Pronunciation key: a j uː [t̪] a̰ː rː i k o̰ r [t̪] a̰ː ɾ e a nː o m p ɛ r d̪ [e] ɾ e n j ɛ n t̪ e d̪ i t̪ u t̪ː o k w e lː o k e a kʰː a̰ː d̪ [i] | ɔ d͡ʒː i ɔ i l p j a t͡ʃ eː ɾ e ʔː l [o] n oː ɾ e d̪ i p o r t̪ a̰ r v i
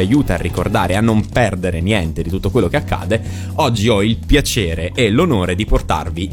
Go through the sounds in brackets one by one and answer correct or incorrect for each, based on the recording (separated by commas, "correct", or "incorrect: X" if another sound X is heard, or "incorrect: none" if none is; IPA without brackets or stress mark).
correct, incorrect: d̪, correct, incorrect: e, correct